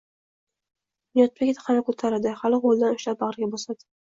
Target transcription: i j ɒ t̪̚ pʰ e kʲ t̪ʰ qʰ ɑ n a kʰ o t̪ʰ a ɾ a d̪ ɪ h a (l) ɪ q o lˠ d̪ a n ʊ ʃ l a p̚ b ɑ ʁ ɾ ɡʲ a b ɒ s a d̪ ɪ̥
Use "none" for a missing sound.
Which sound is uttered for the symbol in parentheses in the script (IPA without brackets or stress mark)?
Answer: l